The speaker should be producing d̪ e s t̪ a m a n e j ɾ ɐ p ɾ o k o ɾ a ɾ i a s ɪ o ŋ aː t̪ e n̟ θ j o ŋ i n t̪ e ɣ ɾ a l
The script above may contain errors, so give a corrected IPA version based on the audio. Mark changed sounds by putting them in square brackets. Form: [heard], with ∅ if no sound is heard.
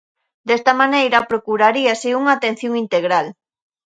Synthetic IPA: d̪ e s t̪ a m a n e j ɾ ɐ p ɾ o k [u] ɾ a ɾ i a s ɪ [u] ŋ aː t̪ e n̟ θ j o ŋ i n t̪ e ɣ ɾ a l